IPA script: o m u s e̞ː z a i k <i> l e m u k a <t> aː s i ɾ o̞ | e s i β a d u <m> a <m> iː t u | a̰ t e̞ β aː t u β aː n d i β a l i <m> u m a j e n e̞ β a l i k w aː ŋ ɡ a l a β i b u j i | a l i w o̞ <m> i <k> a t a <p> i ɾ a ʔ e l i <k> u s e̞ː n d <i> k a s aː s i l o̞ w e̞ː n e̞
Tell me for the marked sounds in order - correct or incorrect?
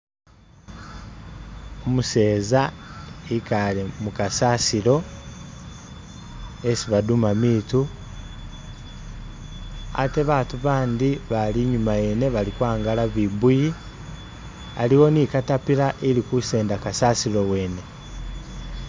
incorrect: a, incorrect: s, correct, correct, incorrect: ɲ, incorrect: n, correct, correct, correct, incorrect: a

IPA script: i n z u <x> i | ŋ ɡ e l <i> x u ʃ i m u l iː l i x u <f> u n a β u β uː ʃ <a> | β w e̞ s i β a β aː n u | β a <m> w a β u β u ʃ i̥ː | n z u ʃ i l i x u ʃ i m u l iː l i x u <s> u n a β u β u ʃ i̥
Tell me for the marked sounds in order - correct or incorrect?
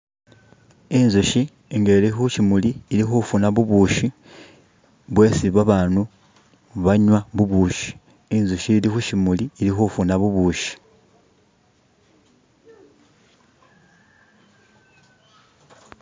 incorrect: ʃ, correct, correct, incorrect: i, incorrect: ɲ, incorrect: f

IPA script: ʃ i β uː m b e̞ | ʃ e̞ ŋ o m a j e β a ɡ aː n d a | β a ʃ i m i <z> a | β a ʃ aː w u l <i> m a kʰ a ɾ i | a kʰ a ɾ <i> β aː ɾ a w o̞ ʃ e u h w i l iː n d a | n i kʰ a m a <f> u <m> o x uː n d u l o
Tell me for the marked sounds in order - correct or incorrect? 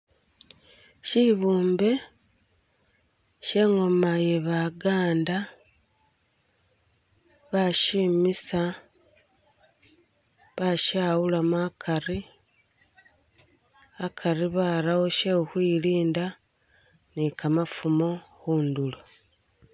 incorrect: s, incorrect: a, correct, correct, correct

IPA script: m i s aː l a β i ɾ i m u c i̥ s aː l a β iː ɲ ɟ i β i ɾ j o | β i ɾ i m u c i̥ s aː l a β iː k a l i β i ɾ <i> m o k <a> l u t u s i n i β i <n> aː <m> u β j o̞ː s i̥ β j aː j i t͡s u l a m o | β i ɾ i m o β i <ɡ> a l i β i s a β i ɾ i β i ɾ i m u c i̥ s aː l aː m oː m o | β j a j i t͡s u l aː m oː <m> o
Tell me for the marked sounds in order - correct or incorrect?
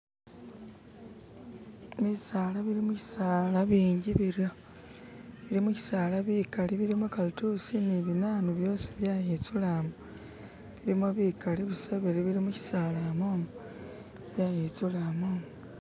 correct, correct, correct, incorrect: n, incorrect: k, correct

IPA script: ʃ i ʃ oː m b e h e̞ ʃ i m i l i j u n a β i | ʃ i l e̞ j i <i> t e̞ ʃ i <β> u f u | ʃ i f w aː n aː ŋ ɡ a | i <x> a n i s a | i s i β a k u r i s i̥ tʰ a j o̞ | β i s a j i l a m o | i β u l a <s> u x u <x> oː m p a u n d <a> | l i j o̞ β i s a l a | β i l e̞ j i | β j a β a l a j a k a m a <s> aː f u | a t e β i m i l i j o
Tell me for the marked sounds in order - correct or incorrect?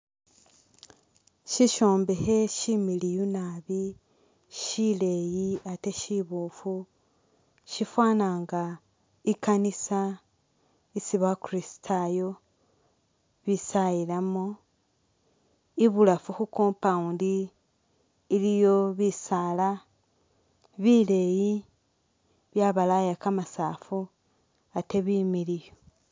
incorrect: a, correct, incorrect: k, incorrect: f, incorrect: k, incorrect: i, correct

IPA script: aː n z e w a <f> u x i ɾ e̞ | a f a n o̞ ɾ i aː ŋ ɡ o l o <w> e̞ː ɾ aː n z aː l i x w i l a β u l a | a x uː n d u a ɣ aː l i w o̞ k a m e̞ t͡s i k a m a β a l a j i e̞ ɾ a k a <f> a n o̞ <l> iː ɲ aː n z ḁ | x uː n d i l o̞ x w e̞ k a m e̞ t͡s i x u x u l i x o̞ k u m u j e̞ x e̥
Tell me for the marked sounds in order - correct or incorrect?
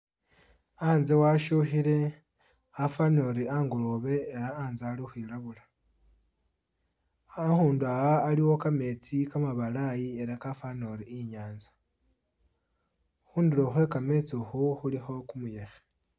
incorrect: ʃ, incorrect: β, correct, incorrect: ɾ

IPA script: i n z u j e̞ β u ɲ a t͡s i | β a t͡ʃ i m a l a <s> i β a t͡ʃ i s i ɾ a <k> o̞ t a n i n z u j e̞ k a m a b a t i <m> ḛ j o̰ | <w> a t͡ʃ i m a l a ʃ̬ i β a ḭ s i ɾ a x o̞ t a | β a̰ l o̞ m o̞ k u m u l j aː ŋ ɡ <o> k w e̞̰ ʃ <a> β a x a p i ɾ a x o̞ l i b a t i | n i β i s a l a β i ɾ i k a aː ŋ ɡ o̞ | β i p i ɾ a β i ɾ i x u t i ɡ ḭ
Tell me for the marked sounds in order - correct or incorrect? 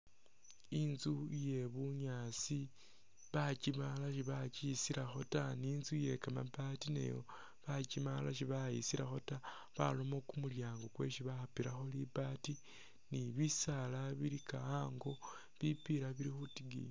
incorrect: ʃ, incorrect: x, incorrect: n, incorrect: β, correct, incorrect: i

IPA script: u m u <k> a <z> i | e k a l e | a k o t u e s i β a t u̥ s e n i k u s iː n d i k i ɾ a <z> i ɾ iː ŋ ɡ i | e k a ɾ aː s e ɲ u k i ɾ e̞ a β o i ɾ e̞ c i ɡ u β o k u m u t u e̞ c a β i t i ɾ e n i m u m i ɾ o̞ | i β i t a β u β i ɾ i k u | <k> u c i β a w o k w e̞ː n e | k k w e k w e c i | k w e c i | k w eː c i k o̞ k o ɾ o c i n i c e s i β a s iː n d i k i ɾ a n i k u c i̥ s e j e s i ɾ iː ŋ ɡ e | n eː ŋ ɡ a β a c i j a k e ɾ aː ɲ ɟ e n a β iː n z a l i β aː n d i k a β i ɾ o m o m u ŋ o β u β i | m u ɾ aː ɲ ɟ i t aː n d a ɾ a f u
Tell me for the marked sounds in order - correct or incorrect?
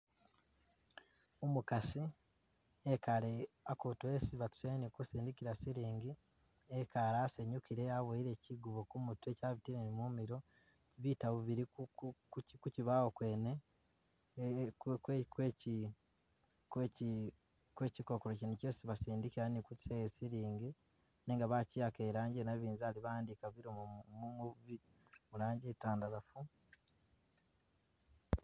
correct, incorrect: s, incorrect: s, correct

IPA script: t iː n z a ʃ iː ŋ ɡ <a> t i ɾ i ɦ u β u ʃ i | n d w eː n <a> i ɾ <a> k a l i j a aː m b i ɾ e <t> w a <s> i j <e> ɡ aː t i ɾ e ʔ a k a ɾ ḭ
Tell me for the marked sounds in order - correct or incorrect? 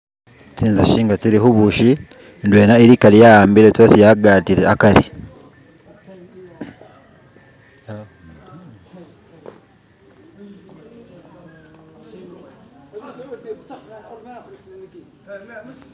correct, correct, incorrect: i, correct, correct, incorrect: a

